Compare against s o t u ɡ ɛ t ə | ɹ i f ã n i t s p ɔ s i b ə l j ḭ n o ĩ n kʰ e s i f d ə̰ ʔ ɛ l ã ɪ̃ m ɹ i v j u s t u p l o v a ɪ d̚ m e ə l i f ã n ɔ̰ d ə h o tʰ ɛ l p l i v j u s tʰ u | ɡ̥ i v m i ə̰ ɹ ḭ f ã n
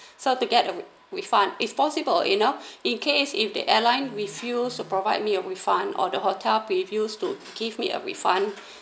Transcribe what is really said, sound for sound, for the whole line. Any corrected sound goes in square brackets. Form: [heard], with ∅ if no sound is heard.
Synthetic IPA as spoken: s o t u ɡ ɛ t ə | ɹ i f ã n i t s p ɔ s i b ə l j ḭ n o ĩ n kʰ e s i f d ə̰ ʔ ɛ l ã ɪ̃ [n] ɹ i [f] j u s t u p [ɹ] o v a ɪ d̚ m [i] ə [ɹ] i f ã n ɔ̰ d ə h o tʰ ɛ l p [ɹ] i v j u s [t] u | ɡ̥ i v m i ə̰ ɹ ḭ f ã n